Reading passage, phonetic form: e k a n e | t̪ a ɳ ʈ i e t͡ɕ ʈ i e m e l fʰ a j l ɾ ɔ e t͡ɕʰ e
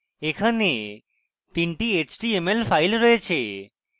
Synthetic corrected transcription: e kʰ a n e | t̪ i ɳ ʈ i e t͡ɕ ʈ i e m e l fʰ a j l ɾ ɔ e t͡ɕʰ e